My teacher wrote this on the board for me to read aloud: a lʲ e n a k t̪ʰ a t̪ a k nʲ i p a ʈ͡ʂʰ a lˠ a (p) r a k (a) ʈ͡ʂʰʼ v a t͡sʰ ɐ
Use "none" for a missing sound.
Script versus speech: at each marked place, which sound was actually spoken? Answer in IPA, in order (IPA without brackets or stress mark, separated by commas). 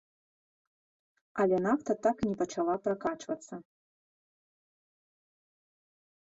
p, a